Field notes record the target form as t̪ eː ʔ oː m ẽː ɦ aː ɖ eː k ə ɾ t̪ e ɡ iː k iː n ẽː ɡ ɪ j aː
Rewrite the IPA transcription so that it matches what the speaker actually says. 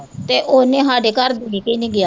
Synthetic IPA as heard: t̪ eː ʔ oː n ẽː ɦ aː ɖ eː k ə ɾ d̪ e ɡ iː k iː n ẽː ɡ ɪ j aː